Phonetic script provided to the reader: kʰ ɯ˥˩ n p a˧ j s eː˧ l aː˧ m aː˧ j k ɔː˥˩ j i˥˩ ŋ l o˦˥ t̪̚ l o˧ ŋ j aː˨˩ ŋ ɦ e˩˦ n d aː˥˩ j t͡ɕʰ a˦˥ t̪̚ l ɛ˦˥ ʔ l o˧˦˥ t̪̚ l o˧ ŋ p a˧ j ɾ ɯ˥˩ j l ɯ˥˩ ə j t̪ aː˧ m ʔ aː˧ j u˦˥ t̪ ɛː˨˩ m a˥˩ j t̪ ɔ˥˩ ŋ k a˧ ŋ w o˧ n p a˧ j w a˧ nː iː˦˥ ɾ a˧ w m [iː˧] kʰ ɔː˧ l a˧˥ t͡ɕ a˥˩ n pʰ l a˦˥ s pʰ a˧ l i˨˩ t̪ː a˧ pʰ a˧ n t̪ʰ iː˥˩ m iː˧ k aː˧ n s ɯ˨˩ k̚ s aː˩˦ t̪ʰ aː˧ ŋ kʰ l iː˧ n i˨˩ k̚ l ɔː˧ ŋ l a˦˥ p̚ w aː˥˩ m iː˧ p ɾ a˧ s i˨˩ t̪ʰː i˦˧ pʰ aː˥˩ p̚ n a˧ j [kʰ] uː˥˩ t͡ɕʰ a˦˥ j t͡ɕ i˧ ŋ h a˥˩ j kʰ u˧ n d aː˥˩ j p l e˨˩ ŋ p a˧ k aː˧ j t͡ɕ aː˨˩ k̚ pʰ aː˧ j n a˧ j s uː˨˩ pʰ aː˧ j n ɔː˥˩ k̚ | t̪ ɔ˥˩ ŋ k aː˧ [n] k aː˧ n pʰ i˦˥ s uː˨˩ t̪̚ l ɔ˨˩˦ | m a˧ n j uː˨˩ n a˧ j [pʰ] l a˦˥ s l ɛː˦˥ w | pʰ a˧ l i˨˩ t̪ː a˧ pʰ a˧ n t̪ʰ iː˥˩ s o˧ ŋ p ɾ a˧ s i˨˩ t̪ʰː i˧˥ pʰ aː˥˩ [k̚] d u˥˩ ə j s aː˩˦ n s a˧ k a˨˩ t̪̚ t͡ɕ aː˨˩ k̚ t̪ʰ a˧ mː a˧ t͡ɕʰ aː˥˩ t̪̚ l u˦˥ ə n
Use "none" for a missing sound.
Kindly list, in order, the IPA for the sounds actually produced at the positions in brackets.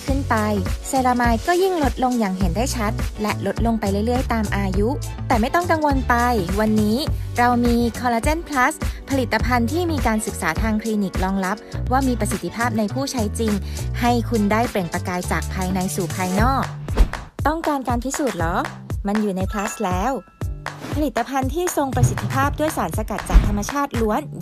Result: iː˧, pʰ, n, pʰ, p̚

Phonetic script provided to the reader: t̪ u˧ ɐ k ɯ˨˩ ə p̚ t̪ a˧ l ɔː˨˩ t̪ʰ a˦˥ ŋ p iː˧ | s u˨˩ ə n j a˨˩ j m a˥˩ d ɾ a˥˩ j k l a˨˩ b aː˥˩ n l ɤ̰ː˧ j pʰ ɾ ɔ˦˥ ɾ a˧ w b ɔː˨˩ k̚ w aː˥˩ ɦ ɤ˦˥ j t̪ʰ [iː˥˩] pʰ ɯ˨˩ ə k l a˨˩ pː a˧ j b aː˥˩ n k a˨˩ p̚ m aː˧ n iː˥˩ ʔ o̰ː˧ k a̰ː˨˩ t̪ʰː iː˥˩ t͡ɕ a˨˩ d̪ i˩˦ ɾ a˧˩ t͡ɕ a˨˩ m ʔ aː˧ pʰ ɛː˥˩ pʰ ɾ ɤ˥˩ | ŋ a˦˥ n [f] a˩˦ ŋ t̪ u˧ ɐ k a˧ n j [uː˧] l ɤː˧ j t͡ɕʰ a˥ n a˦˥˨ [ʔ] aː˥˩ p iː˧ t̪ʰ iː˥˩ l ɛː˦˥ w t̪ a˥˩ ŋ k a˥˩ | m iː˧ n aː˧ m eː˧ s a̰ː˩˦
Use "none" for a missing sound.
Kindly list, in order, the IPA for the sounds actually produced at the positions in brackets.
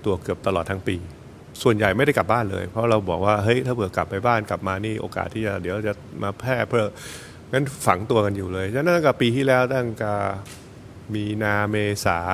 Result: aː˥˩, f, uː˨˩, k

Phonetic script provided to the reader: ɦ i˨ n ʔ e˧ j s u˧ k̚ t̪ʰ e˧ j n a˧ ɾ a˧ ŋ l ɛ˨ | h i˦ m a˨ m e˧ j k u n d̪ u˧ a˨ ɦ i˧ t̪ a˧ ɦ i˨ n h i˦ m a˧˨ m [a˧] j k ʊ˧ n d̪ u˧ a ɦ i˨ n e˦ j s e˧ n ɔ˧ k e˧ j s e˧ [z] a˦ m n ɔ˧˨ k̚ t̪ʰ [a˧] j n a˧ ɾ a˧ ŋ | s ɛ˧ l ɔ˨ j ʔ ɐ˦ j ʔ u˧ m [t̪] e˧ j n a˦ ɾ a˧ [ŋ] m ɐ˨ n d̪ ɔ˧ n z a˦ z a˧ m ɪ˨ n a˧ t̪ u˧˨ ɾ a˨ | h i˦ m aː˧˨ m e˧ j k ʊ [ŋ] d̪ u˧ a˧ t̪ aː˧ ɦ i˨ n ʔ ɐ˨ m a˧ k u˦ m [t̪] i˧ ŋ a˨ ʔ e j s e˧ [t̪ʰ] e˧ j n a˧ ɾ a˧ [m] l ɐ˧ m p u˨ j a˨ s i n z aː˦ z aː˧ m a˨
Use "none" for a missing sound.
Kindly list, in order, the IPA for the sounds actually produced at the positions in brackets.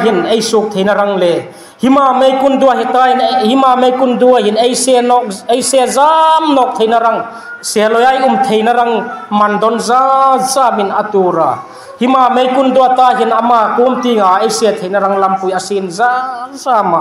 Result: e˧, z, e˧, t̪ʰ, ŋ, n, t̪, t̪ʰ, ŋ

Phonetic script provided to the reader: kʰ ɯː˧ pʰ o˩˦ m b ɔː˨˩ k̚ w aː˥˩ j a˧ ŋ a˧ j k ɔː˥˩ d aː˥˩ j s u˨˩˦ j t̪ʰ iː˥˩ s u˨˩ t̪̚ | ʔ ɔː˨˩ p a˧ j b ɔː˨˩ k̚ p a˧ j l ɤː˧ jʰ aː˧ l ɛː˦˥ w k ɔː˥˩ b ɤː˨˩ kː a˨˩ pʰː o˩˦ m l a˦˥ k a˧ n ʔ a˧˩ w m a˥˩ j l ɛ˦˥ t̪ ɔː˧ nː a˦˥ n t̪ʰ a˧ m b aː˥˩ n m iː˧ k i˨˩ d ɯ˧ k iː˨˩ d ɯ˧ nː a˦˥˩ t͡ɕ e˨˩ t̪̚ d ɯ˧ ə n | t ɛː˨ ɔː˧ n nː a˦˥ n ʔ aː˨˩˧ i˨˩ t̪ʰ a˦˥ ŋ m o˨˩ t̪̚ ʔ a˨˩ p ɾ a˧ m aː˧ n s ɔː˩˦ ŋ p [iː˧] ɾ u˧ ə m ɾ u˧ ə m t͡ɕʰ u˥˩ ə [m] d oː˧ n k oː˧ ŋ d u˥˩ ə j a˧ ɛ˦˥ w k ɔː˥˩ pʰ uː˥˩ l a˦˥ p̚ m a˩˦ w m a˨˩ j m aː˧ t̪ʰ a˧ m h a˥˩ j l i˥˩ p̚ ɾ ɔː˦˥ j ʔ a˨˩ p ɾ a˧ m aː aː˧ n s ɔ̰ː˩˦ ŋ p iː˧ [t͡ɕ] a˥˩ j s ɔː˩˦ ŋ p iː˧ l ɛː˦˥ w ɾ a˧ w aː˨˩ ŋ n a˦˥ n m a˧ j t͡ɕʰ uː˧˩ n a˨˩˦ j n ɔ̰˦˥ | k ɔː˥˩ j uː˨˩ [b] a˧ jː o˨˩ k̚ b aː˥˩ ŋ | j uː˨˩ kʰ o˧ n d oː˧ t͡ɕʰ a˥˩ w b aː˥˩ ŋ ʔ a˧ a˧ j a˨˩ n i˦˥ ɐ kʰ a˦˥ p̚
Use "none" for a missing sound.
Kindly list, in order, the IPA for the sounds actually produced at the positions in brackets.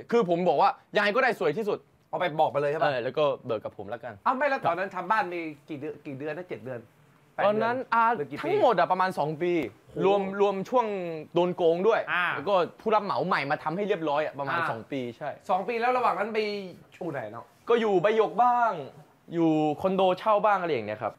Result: iː˧, ŋ, t͡ɕʰ, b

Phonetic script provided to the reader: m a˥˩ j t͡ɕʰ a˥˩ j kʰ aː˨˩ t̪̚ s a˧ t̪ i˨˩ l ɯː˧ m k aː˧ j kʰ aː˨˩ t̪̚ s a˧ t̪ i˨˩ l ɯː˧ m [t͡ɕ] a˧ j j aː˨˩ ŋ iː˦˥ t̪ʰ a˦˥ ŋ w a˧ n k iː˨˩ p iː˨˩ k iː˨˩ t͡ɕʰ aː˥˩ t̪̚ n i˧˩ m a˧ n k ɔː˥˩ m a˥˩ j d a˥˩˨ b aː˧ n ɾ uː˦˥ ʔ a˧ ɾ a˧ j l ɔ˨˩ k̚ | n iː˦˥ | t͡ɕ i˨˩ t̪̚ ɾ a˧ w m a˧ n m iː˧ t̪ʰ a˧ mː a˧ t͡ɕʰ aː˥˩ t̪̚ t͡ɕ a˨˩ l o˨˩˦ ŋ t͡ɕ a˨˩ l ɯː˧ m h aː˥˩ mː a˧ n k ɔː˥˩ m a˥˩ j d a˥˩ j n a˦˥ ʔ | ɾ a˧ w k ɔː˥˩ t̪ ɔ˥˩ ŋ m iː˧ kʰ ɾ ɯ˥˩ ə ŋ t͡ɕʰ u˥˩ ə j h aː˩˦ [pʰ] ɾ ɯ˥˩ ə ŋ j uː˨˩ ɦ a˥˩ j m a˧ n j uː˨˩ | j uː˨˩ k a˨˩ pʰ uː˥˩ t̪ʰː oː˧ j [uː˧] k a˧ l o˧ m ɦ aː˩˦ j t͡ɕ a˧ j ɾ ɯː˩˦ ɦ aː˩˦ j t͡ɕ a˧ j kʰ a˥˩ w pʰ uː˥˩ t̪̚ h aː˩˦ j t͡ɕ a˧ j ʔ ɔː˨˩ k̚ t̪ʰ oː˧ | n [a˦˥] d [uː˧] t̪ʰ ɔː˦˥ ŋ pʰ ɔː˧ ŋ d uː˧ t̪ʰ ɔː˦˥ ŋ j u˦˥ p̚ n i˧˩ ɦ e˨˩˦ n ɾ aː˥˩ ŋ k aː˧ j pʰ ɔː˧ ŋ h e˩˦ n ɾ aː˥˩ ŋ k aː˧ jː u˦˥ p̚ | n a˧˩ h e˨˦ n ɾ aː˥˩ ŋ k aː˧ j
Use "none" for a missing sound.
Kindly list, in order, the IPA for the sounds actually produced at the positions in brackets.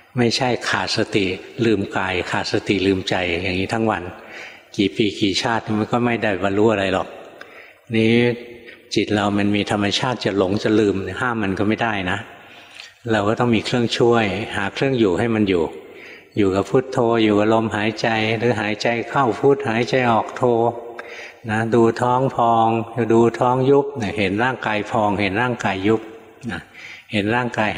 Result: t͡ɕ, kʰ, uː˨˩, a˦˥, uː˧

